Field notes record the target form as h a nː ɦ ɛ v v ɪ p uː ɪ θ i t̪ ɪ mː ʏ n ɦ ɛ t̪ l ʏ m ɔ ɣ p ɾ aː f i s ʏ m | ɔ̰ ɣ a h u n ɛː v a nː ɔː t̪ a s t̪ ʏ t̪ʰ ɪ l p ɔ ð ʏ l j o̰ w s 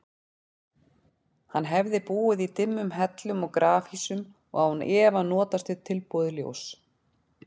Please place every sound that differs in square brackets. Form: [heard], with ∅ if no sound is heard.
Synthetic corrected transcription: h a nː ɦ ɛ v [ð] ɪ p uː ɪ [ð] i t̪ ɪ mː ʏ [m] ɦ ɛ t̪ l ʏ m ɔ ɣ [k] ɾ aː f i s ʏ m | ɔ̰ ɣ a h u n ɛː v a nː ɔː t̪ a s t̪ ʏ t̪ʰ ɪ l p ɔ ð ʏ l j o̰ w s